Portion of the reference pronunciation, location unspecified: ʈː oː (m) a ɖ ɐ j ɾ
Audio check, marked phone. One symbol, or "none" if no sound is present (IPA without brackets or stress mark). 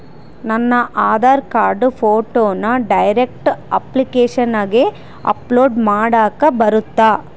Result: n